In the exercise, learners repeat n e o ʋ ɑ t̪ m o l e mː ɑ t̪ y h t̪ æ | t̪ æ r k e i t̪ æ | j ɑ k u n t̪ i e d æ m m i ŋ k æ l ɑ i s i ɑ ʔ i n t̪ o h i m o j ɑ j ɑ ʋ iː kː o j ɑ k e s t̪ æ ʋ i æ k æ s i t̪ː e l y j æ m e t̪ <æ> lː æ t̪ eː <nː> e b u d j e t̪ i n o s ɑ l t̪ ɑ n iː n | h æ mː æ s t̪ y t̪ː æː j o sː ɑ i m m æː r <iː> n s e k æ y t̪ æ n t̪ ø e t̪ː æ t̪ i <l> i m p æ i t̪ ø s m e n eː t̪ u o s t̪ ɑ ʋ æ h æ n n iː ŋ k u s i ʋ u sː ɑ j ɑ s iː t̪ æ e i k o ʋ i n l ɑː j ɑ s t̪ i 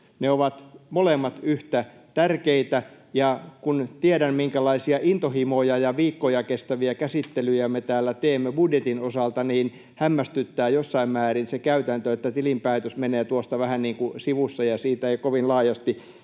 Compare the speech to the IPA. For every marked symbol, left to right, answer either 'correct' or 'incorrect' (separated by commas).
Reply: incorrect, incorrect, incorrect, correct